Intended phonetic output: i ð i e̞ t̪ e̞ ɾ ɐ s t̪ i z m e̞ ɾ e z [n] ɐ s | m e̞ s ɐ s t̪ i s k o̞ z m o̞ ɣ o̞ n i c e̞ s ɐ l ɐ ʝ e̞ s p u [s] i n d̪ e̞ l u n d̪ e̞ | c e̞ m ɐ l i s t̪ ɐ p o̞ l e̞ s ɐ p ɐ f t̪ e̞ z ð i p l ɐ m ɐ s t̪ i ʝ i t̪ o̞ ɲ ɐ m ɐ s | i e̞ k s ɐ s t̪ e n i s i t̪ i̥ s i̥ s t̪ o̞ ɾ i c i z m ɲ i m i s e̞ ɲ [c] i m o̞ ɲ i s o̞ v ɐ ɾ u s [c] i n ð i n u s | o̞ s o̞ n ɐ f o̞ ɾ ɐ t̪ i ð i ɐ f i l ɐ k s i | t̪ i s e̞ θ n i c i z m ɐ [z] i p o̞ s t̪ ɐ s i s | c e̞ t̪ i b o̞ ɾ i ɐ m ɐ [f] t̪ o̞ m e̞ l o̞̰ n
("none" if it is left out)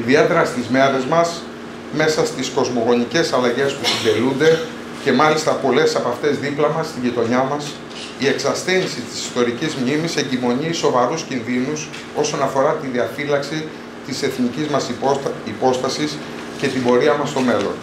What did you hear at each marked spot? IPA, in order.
m, s, ɟ, c, s, s

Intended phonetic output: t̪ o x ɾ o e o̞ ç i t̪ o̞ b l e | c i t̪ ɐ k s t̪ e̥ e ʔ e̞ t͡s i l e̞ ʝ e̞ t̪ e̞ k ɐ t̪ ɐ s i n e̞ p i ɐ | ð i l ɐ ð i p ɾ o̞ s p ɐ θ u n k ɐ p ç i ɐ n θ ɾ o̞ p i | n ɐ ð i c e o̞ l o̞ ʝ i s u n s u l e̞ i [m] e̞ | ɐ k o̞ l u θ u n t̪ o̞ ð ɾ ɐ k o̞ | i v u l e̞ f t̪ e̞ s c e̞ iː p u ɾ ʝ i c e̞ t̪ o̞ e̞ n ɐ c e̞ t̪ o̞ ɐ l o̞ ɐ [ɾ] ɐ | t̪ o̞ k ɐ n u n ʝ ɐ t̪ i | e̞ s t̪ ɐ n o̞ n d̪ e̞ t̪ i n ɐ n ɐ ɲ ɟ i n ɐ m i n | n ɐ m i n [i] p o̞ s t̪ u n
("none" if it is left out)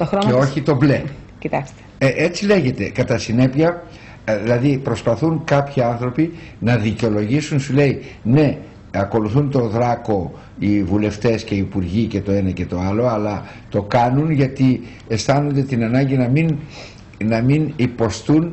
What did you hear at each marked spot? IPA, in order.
n, l, i

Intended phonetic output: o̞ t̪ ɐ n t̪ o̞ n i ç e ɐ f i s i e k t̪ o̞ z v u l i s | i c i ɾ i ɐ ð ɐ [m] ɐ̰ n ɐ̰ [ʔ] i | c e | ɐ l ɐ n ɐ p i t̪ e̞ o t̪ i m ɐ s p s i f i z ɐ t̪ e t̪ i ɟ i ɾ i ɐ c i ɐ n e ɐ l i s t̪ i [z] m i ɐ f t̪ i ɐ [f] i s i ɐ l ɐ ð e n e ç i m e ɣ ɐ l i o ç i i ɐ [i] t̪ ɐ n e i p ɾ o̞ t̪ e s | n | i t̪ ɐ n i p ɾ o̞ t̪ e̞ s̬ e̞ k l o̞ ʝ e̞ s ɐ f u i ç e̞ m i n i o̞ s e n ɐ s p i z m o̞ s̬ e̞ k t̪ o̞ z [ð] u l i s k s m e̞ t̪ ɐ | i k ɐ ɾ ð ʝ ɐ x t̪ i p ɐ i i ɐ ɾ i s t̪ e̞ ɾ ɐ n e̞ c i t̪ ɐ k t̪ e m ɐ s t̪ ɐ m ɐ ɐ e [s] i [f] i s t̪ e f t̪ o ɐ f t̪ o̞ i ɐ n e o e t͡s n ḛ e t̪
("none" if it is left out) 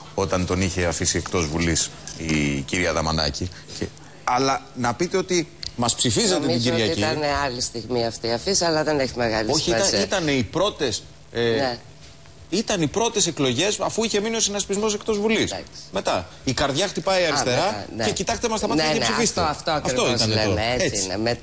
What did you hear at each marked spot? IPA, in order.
m, c, ɣ, f, i, v, s, f

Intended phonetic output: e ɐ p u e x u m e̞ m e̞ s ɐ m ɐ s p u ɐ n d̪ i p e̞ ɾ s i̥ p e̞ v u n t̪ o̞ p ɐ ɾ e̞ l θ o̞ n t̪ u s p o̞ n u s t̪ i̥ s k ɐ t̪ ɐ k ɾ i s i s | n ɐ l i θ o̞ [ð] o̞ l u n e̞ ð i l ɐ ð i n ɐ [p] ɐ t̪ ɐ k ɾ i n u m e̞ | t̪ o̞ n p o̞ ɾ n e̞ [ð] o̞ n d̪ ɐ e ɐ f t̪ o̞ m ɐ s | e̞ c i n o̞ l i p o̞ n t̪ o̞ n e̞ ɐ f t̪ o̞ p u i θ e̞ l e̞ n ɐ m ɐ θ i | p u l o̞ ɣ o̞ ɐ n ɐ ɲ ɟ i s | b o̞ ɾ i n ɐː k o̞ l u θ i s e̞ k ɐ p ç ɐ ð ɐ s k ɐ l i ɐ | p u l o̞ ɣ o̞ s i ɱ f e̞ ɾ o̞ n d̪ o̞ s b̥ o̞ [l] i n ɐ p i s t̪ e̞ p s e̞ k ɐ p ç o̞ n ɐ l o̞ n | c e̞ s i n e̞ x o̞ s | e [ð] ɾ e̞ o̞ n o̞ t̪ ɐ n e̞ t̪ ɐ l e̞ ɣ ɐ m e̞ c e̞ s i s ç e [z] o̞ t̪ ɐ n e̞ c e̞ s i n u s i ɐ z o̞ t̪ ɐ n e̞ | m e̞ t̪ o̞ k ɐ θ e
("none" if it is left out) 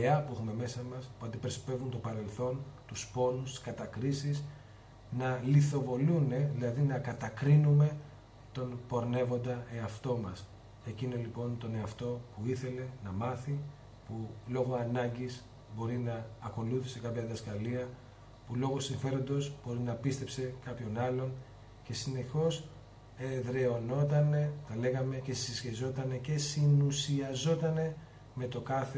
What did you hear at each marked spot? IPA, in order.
v, k, v, ɾ, ð, z

